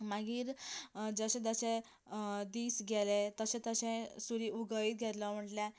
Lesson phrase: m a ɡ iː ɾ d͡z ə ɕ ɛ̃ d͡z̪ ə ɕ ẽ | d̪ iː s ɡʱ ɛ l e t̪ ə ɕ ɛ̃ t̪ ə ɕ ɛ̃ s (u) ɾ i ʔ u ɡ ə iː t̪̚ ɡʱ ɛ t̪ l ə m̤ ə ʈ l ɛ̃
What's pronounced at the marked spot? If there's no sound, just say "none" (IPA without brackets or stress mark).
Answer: u